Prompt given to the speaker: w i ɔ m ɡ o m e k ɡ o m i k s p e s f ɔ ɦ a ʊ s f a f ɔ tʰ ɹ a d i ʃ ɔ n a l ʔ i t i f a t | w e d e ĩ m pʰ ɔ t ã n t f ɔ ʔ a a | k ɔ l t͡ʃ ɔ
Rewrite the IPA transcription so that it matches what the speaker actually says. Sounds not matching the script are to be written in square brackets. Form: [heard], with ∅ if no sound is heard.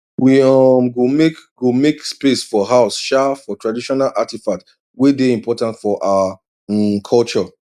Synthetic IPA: w i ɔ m ɡ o m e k ɡ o m [e] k s p e s f ɔ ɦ a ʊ s [ʃ] a f ɔ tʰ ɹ a d i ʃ ɔ n a l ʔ [a] t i f a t | w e d e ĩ m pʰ ɔ t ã n t f ɔ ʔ a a | [kʰ] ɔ l t͡ʃ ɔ